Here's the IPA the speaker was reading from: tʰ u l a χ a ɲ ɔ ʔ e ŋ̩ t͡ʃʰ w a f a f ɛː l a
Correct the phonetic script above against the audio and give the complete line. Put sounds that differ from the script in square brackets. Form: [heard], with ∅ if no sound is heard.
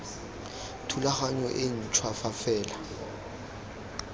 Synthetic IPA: tʰ u l a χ a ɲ ɔ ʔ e [n̩] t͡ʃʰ w a f a f ɛː l a